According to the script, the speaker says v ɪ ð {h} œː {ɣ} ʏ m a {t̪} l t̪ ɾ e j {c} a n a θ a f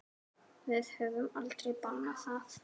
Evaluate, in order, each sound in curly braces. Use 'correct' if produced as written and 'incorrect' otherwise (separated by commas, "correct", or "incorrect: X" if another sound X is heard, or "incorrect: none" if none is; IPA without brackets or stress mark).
correct, incorrect: v, incorrect: none, incorrect: p